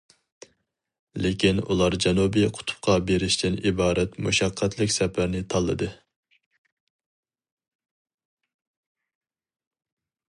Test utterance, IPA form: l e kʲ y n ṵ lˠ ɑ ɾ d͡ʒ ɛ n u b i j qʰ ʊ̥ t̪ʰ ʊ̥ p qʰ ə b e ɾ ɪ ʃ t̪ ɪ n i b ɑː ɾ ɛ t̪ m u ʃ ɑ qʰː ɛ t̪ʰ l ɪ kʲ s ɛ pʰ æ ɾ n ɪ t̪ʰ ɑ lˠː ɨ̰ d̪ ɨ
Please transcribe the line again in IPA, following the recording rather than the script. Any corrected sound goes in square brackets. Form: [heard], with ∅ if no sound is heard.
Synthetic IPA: l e kʲ [i] n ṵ lˠ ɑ ɾ d͡ʒ ɛ n u b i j qʰ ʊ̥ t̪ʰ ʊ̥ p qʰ [ɑ] b e ɾ ɪ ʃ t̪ ɪ n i b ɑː ɾ ɛ t̪ m u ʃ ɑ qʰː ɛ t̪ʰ l ɪ kʲ s ɛ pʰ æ ɾ n ɪ t̪ʰ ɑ lˠː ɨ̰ d̪ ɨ